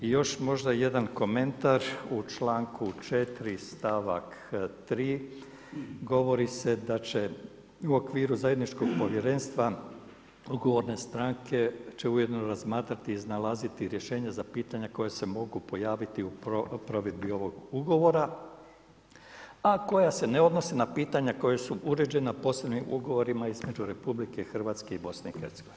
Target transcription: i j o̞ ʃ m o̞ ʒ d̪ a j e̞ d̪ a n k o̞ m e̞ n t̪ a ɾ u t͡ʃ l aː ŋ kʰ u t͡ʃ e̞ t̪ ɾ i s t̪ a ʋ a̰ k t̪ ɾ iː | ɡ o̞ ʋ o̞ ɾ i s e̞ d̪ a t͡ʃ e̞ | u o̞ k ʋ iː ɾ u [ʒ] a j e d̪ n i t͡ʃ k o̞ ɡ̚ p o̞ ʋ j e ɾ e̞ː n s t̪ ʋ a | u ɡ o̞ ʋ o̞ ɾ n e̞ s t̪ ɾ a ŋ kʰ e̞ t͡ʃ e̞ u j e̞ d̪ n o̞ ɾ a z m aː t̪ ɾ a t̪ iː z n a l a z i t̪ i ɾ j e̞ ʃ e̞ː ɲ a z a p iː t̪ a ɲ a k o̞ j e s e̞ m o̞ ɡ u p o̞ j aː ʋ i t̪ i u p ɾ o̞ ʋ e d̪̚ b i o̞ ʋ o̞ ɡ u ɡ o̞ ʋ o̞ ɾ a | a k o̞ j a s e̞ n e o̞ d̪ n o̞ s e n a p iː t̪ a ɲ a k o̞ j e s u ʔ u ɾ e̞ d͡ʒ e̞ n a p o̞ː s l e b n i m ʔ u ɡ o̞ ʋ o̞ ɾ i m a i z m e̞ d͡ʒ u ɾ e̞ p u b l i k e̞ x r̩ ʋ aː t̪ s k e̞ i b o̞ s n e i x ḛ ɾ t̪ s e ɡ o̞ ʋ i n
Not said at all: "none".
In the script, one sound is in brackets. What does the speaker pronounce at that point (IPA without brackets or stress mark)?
z